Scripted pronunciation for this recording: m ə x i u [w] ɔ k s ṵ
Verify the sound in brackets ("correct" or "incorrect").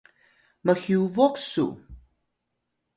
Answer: incorrect